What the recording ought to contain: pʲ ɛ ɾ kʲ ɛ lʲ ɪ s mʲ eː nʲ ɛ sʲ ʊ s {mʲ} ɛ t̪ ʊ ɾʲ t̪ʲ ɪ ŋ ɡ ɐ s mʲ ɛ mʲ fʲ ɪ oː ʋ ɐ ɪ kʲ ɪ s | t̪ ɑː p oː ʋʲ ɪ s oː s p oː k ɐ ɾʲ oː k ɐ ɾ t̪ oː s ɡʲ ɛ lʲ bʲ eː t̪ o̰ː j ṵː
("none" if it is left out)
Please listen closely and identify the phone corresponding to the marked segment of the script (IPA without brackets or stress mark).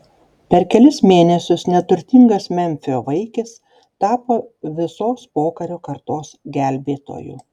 nʲ